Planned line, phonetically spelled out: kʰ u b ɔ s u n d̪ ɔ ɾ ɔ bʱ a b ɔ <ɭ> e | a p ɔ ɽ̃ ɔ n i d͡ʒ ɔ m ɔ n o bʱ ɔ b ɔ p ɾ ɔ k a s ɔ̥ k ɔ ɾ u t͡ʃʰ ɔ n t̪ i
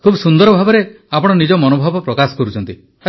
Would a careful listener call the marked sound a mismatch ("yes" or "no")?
yes